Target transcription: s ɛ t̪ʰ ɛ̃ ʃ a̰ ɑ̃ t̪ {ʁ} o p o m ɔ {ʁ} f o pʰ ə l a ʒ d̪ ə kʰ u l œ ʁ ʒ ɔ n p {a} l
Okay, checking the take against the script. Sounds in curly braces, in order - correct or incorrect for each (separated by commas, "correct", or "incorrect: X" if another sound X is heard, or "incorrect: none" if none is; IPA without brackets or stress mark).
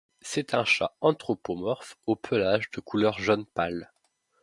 incorrect: χ, correct, correct